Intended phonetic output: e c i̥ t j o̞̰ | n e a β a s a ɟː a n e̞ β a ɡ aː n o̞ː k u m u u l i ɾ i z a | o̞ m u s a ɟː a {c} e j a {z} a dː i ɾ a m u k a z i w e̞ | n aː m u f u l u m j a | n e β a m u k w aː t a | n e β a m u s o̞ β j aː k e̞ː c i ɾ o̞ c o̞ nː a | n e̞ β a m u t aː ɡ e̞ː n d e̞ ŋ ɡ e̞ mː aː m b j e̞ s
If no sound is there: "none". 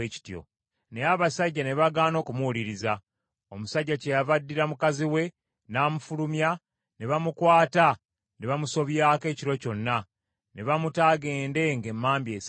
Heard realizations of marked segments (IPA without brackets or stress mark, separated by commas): c, v